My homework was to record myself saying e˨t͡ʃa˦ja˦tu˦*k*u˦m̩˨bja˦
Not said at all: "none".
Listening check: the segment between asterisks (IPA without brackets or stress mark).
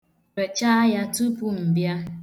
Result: p